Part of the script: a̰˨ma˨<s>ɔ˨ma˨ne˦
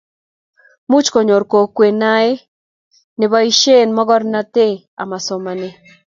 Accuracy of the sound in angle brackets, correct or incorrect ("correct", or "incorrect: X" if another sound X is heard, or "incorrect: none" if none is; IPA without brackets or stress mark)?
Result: correct